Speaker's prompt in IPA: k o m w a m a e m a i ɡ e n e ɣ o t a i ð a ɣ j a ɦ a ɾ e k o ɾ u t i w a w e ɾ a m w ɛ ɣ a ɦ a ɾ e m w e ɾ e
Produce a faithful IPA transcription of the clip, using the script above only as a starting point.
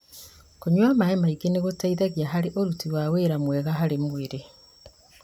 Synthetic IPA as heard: k o ɲ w a m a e m a i ɡ e n e ɣ o t a i ð a ɣ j a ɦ a ɾ e ʔ o ɾ u t i w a w e ɾ a m w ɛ ɣ a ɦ a ɾ e m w e ɾ e